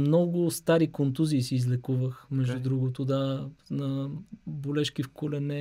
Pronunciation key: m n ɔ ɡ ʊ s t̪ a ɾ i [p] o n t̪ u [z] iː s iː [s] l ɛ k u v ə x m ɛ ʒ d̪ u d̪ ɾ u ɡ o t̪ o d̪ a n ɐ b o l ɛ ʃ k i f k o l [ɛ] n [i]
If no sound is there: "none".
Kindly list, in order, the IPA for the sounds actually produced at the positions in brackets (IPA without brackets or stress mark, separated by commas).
k, z, z, ɛ, ɛ